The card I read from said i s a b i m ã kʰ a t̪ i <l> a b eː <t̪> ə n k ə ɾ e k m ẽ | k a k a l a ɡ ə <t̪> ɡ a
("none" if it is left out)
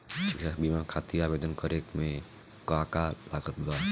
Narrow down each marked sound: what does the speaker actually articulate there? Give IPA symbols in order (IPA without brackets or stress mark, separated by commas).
ɾ, d̪, t̪